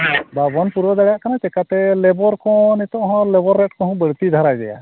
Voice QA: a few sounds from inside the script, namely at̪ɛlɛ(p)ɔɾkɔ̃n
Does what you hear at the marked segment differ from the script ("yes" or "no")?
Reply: yes